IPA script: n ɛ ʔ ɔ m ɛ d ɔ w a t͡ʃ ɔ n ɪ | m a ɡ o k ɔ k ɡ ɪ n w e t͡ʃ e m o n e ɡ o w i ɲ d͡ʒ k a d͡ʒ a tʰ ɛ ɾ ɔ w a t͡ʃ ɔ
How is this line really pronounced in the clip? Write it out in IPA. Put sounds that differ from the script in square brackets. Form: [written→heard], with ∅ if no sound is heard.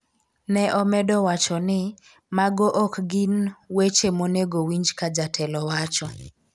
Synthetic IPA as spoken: n ɛ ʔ ɔ m ɛ d ɔ w a t͡ʃ ɔ n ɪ | m a ɡ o [k→ʔ] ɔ k ɡ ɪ n w e t͡ʃ e m o n e ɡ o w i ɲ d͡ʒ k a d͡ʒ a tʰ ɛ [ɾ→l] ɔ w a t͡ʃ ɔ